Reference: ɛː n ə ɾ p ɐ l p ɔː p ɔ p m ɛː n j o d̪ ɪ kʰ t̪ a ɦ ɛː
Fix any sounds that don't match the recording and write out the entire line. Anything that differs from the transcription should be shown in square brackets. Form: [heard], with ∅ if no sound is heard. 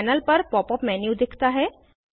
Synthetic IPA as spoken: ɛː n ə [l] p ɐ [ɾ] p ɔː p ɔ p m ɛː n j [u] d̪ ɪ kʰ t̪ a ɦ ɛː